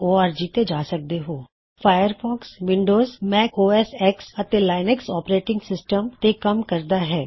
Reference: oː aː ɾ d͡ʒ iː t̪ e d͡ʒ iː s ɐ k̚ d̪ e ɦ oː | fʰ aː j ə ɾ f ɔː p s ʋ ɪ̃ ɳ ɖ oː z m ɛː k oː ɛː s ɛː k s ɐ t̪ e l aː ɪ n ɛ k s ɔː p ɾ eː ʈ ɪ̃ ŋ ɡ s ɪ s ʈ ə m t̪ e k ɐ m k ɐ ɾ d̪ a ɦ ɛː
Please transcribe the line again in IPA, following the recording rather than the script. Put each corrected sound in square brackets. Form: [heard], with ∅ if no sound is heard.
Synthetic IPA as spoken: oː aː ɾ d͡ʒ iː t̪ e d͡ʒ [aː] s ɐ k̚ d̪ e ɦ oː | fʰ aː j ə ɾ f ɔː [k] s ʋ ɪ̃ ɳ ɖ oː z m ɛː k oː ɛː s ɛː k s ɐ t̪ e l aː ɪ n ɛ k s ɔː p ɾ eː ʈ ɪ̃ ŋ ɡ s ɪ s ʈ ə m t̪ e k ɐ m k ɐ ɾ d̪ a ɦ ɛː